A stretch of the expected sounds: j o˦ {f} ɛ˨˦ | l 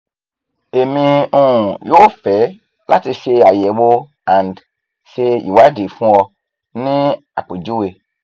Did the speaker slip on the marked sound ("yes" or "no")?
no